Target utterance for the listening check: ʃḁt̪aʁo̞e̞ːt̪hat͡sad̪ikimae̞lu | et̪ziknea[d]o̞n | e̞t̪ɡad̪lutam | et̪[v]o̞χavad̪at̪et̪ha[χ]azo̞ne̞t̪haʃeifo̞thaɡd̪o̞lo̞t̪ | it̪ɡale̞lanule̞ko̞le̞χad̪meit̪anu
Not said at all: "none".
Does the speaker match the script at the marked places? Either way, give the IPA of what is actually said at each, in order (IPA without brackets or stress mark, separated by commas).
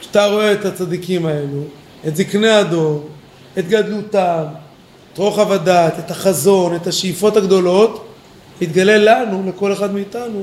d, ʁ, χ